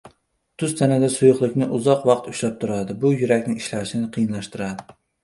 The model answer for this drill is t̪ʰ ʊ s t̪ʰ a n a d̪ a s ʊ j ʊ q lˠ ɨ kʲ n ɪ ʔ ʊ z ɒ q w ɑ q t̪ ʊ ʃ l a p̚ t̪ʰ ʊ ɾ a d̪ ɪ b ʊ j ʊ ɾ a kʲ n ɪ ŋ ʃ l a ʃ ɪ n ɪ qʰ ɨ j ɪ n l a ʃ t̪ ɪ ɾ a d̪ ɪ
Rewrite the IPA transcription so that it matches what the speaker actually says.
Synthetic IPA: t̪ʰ ʊ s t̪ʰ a n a d̪ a s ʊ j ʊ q lˠ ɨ kʲ n ɪ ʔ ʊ z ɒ q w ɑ q t̪ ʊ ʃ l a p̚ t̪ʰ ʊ ɾ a d̪ ɪ b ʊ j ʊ ɾ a kʲ n ɪ ŋ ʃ l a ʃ ɪ n ɪ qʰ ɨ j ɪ n l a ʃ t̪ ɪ ɾ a d̪ ɪ